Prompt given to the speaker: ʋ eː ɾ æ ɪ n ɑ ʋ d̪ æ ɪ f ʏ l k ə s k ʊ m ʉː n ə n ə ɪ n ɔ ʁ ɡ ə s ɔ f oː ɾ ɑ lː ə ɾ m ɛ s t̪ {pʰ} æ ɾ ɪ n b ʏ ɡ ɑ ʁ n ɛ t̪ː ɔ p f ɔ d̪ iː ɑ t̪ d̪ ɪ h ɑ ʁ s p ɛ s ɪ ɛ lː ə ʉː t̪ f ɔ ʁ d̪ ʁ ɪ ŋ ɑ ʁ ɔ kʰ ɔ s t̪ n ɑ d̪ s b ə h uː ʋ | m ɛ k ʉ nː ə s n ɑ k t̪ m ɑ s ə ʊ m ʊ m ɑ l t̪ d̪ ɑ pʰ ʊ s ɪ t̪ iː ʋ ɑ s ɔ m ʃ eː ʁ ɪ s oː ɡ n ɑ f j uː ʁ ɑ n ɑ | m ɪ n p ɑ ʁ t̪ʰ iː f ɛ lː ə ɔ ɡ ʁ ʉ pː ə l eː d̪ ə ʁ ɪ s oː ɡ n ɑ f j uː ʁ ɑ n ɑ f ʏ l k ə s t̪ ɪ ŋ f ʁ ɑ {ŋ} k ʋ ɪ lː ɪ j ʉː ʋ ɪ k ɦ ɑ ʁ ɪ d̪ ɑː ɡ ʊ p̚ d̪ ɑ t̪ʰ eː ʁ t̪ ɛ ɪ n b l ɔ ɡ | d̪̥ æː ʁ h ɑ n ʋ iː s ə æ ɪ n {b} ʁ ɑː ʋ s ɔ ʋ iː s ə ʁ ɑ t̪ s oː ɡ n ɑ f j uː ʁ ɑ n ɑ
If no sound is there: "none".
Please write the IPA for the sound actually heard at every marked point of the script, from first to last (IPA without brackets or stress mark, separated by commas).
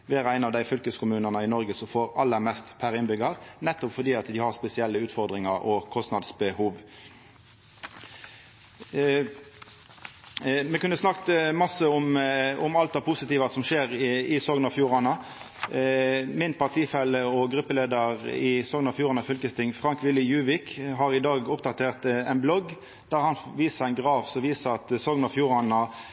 pʰ, ŋ, ɡ